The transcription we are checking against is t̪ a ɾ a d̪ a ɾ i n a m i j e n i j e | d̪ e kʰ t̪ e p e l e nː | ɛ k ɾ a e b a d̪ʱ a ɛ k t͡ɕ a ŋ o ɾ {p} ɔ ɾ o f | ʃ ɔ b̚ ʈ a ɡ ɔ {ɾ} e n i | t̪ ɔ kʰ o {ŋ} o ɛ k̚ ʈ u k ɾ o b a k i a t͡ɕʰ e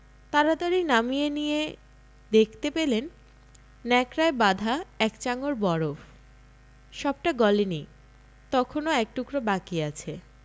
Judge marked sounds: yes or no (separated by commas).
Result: no, no, no